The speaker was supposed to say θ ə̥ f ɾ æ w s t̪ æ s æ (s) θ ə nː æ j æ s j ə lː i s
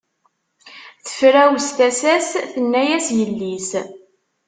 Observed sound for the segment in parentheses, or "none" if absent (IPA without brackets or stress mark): s